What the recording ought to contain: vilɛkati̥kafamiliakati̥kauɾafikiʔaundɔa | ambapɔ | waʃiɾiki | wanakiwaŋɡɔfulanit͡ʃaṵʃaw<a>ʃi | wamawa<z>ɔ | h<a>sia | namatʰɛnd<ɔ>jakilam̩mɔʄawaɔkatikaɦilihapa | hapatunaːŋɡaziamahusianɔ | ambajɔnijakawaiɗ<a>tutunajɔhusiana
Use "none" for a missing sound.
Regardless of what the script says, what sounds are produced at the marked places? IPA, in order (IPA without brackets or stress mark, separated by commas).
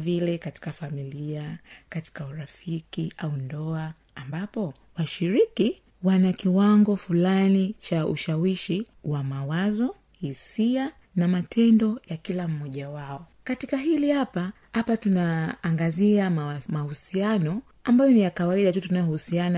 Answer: i, z, i, ɔ, a